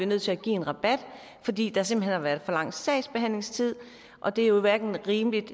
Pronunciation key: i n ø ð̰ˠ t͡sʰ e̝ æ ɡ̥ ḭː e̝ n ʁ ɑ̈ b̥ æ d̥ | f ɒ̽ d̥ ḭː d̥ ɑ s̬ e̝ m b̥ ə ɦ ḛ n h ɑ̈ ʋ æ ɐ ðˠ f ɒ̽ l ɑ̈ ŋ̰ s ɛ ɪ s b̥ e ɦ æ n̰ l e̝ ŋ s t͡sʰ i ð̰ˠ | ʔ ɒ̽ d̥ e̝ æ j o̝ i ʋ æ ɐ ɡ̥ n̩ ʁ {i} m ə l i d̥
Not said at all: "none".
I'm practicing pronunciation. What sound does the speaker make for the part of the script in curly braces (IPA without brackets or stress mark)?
iː